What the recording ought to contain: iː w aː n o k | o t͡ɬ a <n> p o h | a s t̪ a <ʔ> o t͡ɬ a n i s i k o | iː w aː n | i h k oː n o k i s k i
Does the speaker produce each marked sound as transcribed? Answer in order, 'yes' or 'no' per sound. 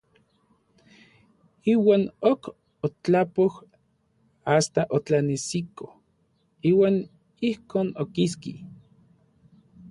no, yes

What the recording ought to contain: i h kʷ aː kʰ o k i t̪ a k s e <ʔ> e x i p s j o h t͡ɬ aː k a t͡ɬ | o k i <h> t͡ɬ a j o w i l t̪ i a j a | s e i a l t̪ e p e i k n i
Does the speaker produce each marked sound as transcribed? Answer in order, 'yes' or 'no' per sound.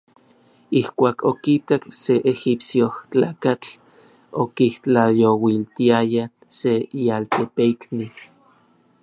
yes, yes

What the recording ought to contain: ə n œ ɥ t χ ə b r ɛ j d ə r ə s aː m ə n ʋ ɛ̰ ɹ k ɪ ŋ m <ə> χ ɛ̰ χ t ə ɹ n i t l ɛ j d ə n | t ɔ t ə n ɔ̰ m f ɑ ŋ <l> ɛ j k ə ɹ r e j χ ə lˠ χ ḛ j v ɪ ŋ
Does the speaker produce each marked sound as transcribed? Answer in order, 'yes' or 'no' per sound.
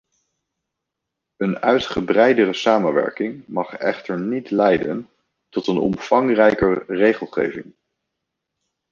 no, no

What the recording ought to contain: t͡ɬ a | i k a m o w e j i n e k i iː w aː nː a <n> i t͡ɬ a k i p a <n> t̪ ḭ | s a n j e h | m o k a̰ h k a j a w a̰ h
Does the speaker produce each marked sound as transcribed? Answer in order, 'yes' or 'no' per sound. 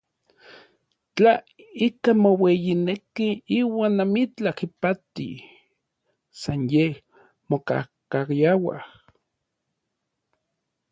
no, no

